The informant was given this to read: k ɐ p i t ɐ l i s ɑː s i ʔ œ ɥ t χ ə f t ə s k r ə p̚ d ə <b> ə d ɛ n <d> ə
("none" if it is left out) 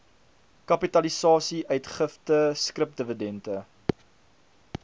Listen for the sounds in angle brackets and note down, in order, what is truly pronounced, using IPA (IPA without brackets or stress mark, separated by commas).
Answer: v, t